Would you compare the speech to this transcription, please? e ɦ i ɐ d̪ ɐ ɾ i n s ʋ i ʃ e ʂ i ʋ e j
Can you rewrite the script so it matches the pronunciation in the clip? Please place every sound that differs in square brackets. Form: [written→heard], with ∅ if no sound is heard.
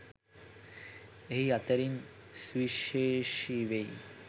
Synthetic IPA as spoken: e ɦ i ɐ [d̪→t̪] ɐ ɾ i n s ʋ i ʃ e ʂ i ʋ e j